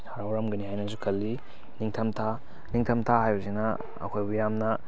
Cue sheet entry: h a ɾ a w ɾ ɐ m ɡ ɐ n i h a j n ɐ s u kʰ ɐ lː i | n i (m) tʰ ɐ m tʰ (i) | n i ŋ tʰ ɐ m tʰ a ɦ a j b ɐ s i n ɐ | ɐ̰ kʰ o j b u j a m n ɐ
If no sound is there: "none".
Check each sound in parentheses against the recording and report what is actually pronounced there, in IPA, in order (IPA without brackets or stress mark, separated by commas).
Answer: ŋ, a